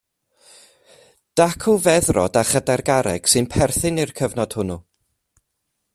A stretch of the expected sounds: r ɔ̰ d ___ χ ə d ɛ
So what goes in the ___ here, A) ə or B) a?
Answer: B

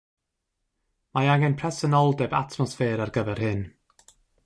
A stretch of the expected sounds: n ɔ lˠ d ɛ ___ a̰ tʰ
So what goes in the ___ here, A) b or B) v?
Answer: A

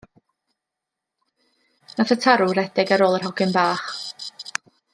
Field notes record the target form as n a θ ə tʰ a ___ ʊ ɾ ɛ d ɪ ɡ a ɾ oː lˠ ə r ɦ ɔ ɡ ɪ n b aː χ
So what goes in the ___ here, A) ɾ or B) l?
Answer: A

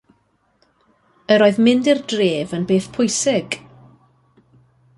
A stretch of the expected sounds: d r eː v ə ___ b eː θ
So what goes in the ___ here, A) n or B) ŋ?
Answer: A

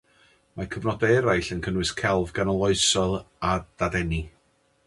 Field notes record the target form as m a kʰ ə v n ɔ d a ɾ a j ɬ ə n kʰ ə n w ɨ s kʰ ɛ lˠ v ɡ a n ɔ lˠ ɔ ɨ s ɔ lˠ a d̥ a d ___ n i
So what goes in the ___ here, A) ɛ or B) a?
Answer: A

